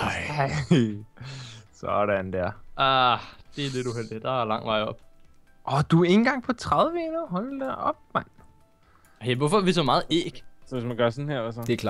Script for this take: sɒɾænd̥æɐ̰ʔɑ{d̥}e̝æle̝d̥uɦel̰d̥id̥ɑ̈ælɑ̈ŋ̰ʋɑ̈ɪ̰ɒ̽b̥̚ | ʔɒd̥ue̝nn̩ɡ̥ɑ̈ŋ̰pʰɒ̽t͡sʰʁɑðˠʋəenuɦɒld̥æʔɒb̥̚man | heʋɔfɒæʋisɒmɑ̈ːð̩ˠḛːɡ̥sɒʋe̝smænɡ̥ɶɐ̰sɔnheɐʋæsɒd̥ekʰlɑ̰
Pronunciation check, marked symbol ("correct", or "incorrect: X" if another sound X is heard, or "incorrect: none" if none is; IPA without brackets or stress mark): correct